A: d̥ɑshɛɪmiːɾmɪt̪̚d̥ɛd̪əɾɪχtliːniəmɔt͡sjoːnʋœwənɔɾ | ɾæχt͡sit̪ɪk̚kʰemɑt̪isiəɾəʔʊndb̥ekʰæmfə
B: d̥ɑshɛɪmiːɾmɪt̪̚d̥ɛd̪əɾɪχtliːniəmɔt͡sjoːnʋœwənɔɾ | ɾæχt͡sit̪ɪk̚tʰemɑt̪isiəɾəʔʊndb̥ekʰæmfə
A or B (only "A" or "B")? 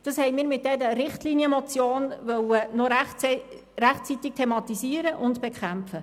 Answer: B